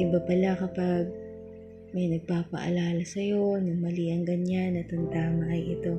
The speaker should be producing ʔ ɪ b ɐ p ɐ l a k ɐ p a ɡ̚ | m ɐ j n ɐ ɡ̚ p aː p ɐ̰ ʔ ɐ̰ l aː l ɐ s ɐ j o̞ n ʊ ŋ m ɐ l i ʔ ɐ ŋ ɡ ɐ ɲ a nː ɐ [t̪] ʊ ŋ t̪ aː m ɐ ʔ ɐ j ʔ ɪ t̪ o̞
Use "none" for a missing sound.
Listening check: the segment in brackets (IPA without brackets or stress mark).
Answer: t̪